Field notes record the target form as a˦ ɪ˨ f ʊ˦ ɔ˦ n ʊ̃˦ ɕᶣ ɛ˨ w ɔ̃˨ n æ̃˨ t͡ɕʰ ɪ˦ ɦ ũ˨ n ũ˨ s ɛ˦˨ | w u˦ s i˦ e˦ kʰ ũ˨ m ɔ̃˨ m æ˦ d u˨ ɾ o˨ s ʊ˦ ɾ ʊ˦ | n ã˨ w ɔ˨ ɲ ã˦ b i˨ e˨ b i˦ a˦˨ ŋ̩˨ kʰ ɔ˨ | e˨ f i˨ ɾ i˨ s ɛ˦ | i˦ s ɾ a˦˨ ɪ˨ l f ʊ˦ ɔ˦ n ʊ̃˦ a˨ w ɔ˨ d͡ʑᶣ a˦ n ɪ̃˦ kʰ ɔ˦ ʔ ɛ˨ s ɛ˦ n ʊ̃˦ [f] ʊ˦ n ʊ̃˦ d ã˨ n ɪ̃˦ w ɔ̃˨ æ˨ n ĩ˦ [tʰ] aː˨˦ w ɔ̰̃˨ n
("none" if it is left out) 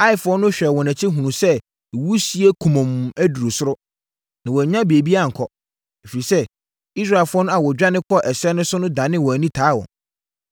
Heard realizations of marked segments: s, tʰ

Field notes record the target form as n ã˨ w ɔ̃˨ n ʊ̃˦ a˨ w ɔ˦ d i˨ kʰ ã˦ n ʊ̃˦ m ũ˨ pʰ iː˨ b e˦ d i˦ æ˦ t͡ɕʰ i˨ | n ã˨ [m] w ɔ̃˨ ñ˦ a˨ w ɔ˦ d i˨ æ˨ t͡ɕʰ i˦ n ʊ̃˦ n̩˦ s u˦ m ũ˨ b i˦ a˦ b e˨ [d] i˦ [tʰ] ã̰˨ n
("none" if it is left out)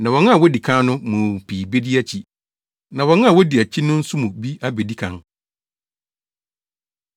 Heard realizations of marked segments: none, d, kʰ

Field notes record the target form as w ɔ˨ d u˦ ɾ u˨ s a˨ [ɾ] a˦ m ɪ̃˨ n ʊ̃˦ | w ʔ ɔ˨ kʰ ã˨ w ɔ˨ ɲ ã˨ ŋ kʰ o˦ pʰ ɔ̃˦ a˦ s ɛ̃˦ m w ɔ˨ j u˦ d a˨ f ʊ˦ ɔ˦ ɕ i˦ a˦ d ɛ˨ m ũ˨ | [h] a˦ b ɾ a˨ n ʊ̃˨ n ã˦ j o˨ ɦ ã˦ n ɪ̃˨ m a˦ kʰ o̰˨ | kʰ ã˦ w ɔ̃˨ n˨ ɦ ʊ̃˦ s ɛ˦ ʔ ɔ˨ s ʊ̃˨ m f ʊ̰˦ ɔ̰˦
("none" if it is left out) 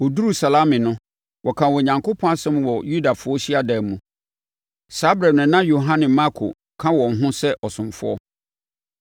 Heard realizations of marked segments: l, s

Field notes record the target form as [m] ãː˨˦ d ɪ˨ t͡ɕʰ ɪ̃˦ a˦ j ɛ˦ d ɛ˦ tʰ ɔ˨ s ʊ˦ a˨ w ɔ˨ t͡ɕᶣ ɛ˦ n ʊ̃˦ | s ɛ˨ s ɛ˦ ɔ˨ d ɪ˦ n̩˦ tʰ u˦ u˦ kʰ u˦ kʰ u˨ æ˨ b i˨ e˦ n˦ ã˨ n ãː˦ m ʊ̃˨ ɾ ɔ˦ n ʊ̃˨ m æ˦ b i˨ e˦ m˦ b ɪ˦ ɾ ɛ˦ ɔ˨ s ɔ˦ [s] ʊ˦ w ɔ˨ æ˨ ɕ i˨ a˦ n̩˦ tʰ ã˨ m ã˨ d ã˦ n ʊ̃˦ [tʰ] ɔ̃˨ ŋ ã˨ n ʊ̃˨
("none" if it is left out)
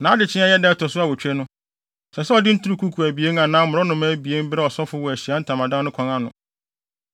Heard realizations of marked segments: n, f, kʰ

